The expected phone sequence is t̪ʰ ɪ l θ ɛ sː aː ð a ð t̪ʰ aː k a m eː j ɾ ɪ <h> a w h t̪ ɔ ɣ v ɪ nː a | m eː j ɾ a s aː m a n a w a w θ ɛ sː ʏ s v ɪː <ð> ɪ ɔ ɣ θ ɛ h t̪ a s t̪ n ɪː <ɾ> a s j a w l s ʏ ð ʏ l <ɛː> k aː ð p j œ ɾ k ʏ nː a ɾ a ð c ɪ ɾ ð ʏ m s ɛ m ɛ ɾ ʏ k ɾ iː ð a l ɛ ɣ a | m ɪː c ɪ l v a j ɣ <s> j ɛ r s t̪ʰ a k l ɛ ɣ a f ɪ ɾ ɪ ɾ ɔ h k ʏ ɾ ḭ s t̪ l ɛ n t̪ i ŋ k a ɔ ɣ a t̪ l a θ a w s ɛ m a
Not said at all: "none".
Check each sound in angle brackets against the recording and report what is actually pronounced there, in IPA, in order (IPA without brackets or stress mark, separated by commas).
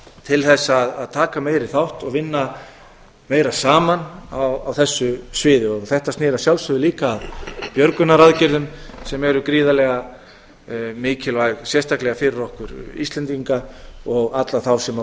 θ, ð, ɾ, iː, s